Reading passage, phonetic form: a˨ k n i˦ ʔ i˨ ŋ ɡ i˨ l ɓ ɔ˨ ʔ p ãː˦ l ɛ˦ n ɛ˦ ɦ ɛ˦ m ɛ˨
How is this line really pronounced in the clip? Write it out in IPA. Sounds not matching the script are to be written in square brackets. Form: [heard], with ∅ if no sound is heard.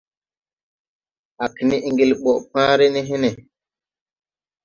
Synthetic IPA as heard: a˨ k n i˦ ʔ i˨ ŋ ɡ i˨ l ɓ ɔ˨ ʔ p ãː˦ [ɾ] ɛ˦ n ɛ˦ ɦ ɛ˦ [n] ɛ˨